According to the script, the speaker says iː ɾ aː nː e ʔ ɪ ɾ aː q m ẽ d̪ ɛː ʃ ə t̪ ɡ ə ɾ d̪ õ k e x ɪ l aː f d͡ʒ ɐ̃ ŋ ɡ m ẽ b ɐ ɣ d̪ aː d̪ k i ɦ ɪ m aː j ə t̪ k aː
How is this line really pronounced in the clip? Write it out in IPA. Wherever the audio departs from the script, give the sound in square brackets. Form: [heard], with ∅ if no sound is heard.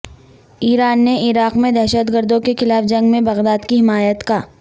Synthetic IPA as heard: iː ɾ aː nː e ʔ ɪ ɾ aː q m ẽ d̪ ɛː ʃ ə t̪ ɡ ə ɾ d̪ õ k e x ɪ l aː f d͡ʒ ɐ̃ ŋ ɡ m ẽ b ɐ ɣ d̪ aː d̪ k i ɦ ɪ m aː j ə t̪ k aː